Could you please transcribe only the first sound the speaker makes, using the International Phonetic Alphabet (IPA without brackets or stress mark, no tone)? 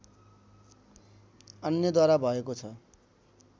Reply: ʌ